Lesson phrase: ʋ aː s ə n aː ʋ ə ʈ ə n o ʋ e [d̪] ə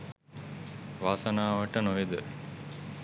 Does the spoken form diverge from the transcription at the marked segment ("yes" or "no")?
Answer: no